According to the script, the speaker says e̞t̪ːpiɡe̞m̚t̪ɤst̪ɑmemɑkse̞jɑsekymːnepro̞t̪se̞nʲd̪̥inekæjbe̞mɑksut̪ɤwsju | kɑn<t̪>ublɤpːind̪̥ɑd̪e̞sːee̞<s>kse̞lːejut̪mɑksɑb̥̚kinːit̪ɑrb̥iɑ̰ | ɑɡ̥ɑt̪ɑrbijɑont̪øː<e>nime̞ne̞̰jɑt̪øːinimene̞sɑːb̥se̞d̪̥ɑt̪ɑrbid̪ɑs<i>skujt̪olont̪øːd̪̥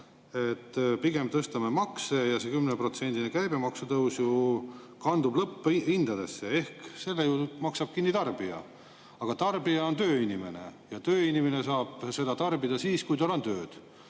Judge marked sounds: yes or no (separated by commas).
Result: no, no, no, no